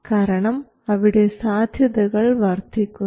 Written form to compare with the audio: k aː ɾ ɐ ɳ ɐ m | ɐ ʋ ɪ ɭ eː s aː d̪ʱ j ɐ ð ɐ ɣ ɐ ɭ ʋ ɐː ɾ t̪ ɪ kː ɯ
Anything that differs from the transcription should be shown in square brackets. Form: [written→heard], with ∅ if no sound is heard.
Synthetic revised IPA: k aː ɾ ɐ ɳ ɐ m | ɐ ʋ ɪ [ɭ→ɽ] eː s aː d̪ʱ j ɐ ð ɐ ɣ ɐ ɭ ʋ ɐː ɾ t̪ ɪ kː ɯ